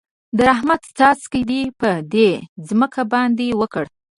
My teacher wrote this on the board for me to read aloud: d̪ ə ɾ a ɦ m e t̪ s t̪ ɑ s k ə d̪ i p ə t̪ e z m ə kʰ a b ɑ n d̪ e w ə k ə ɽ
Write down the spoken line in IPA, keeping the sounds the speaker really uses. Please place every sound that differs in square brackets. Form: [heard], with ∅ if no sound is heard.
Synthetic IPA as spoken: d̪ ə ɾ a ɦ m [a] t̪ s t̪ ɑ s k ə d̪ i p ə [d̪] e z m ə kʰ a b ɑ n d̪ e w ə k ə ɽ